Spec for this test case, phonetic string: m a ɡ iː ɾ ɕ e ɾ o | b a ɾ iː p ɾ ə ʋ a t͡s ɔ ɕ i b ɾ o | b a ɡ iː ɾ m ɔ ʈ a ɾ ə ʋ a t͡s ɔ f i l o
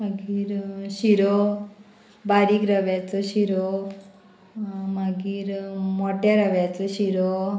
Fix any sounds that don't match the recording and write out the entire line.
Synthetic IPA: m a ɡ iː ɾ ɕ i ɾ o | b a ɾ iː k ɾ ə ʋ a t͡s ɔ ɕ i ɾ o | m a ɡ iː ɾ m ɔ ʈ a ɾ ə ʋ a t͡s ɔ ɕ i ɾ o

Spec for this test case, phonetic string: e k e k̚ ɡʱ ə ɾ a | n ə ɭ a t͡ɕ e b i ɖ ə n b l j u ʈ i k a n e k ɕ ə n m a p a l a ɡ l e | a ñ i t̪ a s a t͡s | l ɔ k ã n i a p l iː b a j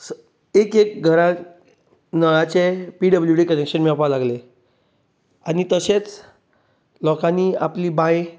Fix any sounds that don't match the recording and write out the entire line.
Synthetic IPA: e k e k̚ ɡʱ ə ɾ a | n ə ɭ a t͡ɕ e p i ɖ ə b l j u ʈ i k ə n e k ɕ ə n m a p a l a ɡ l e | a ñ i t̪ ə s e t͡s | l ɔ k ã n i a p l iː b a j

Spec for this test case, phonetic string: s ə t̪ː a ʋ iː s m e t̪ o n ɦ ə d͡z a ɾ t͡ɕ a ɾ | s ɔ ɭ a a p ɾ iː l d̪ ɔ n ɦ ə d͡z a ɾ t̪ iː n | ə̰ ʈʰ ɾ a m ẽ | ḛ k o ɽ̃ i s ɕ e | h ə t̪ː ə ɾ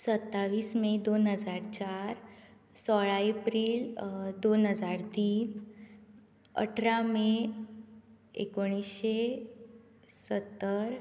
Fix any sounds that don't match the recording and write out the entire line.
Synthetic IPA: s ə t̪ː a ʋ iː s m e d̪ o n ɦ ə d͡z a ɾ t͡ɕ a ɾ | s ɔ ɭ a e p ɾ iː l d̪ o n ɦ ə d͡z a ɾ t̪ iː n | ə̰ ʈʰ ɾ a m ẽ | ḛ k o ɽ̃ i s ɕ e | s ə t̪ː ə ɾ

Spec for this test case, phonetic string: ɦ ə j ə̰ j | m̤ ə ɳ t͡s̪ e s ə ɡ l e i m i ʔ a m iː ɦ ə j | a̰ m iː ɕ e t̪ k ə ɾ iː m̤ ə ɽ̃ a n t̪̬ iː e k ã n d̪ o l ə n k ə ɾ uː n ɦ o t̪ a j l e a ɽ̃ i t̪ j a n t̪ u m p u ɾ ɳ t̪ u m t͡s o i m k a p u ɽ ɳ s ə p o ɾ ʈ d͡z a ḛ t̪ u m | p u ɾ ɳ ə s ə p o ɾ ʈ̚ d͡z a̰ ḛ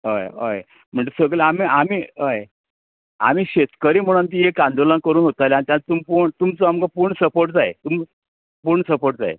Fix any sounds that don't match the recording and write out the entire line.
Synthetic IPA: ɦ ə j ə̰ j | m̤ ə ɳ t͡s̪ e s ə ɡ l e a m i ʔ a m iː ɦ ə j | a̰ m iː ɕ e t̪ k ə ɾ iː m̤ ə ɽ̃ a n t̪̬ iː e k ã n d̪ o l ə n k ə ɾ uː n ɦ o t̪ a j l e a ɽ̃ i t̪ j a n t̪ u m p u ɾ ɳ t̪ u m t͡s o a m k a p u ɾ ɳ s ə p o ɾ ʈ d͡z a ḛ t̪ u m | p u ɾ ɳ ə s ə p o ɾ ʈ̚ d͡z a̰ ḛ

